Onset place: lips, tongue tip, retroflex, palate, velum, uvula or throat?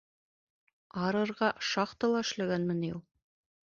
tongue tip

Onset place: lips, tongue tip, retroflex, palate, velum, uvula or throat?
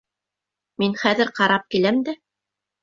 lips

